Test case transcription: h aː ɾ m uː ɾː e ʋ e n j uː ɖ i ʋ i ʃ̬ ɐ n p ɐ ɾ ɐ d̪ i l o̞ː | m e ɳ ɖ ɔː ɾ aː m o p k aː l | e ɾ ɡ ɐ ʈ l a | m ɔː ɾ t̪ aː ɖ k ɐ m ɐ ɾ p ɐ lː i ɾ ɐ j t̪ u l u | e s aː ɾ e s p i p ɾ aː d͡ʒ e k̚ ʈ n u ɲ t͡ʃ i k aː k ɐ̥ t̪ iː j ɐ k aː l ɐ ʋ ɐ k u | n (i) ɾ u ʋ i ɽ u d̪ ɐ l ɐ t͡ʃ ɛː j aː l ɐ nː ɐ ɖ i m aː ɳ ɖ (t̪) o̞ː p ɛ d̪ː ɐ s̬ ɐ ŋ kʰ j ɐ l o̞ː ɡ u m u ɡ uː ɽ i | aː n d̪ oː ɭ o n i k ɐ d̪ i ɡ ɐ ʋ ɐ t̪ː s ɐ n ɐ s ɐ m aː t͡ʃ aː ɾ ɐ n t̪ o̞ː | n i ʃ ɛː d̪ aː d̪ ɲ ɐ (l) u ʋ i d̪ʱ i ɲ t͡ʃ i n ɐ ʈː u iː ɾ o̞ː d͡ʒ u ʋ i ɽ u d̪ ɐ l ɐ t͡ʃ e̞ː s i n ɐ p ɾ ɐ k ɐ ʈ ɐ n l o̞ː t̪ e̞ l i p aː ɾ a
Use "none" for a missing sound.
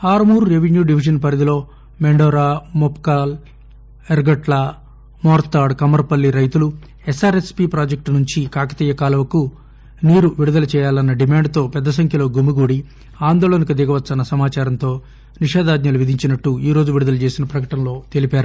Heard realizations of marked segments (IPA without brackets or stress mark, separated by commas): iː, t̪, l